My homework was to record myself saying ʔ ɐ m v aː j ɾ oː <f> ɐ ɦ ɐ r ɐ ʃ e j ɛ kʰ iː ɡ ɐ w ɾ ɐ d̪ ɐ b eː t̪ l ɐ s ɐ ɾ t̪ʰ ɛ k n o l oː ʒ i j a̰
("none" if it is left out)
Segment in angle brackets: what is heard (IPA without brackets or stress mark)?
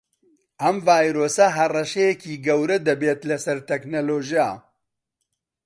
s